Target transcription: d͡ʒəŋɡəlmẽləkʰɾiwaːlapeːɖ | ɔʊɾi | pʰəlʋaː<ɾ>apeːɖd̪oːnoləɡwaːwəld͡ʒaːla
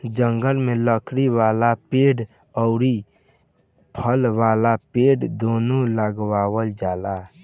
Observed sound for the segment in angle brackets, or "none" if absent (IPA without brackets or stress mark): l